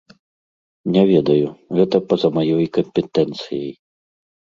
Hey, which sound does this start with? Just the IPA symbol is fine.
nʲ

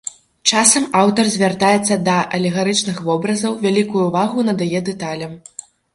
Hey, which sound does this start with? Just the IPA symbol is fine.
t͡ʂ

